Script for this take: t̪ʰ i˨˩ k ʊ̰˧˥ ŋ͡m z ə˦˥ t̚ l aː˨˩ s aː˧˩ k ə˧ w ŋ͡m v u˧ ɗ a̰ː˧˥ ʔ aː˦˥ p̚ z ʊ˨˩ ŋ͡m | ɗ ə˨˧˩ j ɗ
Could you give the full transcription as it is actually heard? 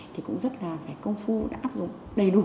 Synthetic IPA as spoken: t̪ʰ i˨˩ k ʊ̰˧˥ ŋ͡m z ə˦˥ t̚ l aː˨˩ f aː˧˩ k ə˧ w ŋ͡m f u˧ ɗ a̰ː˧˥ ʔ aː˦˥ p̚ z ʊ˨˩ ŋ͡m | ɗ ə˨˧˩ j ɗ